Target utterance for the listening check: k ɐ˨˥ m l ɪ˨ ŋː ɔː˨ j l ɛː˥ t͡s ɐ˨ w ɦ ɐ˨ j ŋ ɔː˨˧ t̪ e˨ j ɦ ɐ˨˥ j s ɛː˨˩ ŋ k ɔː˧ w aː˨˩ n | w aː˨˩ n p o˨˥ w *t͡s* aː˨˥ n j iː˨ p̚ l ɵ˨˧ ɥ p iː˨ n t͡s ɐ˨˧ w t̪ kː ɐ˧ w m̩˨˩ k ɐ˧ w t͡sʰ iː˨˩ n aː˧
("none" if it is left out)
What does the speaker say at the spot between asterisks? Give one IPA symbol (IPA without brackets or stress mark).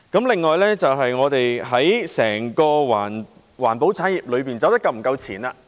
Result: t͡sʰ